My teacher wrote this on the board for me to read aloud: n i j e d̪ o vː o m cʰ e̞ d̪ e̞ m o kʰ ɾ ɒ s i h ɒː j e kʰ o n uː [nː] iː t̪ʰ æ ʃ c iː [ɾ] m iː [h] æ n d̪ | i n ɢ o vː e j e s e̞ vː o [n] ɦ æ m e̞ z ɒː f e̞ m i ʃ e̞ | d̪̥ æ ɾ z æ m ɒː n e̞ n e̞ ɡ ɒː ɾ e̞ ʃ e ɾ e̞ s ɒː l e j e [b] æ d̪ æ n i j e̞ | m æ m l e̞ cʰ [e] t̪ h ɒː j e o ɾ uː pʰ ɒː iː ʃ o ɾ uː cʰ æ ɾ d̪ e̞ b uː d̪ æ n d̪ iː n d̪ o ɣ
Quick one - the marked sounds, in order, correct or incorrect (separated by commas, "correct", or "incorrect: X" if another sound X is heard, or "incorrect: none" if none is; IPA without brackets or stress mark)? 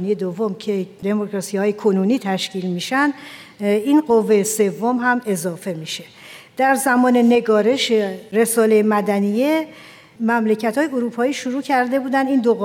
incorrect: n, incorrect: l, incorrect: ʃ, incorrect: m, incorrect: m, incorrect: æ